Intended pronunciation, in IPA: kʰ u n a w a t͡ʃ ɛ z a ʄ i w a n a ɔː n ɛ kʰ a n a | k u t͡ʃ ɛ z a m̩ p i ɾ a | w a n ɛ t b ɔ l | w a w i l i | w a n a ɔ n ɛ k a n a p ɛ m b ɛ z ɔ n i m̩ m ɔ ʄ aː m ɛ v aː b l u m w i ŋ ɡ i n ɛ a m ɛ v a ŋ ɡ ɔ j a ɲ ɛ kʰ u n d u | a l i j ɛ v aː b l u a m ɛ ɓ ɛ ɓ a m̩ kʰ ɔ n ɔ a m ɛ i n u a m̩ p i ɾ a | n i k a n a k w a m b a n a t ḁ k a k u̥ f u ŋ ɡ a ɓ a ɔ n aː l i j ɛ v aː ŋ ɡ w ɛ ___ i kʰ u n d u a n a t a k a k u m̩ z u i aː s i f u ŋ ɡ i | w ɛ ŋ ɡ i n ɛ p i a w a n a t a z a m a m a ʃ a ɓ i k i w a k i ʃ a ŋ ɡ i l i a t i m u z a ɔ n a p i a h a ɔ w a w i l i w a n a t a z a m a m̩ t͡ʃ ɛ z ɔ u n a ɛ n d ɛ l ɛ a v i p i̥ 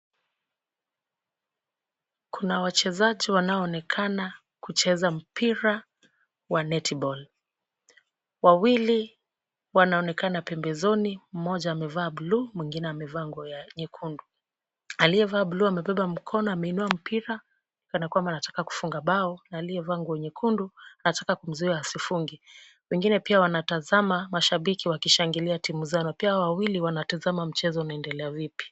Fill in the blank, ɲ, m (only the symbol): ɲ